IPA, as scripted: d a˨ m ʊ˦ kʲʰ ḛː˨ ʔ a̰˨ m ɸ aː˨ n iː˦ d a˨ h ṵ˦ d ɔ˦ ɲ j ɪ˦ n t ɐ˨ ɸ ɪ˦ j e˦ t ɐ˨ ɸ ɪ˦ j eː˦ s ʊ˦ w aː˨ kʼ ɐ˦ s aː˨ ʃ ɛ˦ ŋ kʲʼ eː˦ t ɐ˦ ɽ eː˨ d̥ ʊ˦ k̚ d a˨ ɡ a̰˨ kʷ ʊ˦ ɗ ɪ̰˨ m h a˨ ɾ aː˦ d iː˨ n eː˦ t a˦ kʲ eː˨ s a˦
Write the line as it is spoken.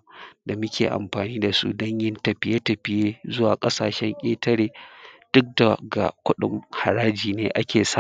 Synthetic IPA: d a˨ m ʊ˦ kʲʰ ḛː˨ ʔ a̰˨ m ɸ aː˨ n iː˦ d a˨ s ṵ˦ d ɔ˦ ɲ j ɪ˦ n t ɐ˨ ɸ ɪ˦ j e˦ t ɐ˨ ɸ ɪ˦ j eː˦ z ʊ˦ w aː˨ kʼ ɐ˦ s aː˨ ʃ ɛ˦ ŋ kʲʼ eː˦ t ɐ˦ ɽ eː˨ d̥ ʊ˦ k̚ d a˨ ɡ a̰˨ kʷ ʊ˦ ɗ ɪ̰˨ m h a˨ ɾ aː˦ d͡ʒ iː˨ n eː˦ ʔ a˦ kʲ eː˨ s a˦